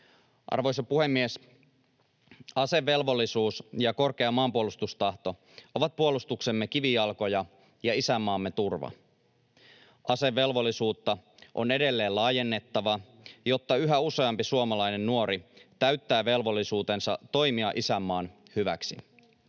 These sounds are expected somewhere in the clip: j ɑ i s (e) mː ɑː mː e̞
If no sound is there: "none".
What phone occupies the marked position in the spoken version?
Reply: æ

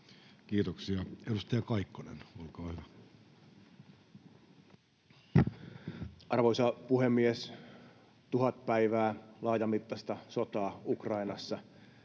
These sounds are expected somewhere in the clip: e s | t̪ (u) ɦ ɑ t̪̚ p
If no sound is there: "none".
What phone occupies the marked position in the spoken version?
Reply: u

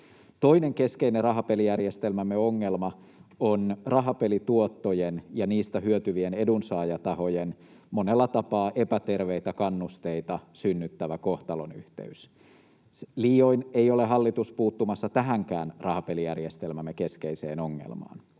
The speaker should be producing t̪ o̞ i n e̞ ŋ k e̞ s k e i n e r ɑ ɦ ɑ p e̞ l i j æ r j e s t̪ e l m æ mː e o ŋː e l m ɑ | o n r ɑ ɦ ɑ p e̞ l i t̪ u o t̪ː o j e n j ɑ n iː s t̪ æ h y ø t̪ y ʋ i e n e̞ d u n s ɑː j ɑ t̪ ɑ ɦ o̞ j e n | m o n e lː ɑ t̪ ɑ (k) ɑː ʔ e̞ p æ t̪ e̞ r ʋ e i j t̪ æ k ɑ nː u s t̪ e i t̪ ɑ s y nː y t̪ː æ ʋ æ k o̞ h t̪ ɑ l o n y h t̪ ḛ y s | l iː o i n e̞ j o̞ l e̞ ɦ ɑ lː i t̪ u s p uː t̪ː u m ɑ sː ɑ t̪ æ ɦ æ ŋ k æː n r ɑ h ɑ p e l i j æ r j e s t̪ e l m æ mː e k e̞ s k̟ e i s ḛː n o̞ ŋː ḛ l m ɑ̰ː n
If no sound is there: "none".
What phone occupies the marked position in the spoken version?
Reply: p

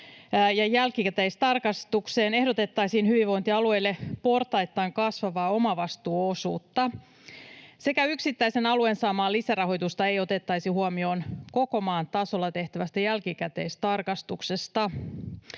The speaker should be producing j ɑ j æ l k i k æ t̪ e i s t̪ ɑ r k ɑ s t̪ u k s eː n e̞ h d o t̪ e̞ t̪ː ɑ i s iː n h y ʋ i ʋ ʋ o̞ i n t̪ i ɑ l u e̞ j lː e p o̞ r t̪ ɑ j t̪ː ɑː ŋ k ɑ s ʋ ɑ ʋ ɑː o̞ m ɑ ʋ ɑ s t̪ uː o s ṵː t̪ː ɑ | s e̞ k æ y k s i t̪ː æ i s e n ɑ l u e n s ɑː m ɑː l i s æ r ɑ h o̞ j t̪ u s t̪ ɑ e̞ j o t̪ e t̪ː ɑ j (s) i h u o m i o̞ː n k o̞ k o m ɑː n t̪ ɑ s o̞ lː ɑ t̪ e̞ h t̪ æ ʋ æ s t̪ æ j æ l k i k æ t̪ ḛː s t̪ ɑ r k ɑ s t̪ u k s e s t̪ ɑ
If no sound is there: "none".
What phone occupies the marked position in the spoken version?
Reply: s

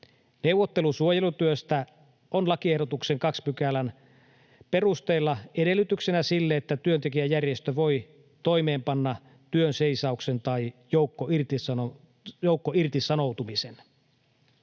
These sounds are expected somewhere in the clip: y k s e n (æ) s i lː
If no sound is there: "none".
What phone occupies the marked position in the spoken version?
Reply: æ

